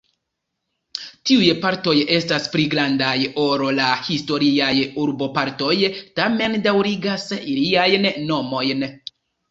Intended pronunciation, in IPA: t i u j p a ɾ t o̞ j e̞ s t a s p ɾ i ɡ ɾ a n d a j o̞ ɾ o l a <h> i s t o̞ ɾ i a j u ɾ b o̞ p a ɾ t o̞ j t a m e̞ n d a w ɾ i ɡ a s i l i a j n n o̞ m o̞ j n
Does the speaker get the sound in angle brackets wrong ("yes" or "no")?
no